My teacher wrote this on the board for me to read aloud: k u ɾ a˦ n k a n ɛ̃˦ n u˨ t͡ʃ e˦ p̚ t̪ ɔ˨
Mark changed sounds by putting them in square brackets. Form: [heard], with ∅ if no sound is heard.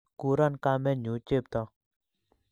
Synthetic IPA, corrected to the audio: k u ɾ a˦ n k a [m] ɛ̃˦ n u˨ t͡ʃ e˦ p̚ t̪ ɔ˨